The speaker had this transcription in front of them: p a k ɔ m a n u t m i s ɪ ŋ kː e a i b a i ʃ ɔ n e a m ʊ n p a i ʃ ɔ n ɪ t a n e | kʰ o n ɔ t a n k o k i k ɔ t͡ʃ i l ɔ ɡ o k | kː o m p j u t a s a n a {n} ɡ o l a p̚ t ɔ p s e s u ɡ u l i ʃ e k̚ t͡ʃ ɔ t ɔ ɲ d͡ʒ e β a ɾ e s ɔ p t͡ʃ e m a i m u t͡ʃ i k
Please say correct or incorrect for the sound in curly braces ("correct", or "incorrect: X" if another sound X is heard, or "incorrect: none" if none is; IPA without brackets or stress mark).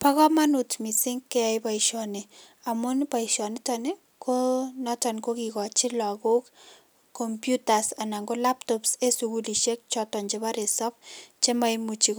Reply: incorrect: ŋ